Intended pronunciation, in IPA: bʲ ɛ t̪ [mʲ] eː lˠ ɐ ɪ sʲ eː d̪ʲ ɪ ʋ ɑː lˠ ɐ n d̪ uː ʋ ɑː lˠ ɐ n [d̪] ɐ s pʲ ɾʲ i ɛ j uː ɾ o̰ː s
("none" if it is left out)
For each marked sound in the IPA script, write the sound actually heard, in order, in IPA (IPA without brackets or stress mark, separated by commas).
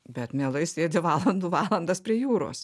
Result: mʲ, d̪